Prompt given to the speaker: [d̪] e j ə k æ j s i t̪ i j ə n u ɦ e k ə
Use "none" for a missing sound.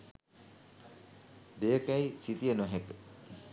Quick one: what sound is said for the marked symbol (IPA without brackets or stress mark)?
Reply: d̪